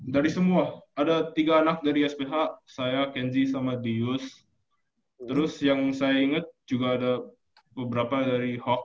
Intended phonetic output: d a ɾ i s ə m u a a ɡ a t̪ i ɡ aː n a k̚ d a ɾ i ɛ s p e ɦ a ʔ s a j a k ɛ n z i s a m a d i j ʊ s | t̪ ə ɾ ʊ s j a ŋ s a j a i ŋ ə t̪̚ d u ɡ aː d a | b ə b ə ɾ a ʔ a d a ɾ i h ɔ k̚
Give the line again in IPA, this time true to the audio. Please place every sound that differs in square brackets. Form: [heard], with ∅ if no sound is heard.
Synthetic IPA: d a ɾ i s ə m u a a [d] a t̪ i ɡ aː n a k̚ d a ɾ i ɛ s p e ɦ a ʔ s a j a k ɛ n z i s a m a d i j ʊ s | t̪ ə ɾ ʊ s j a ŋ s a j a i ŋ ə t̪̚ [d͡ʒ] u ɡ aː d a | b ə b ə ɾ a [p] a d a ɾ i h ɔ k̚